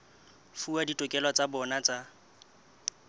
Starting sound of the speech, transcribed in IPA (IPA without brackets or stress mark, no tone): f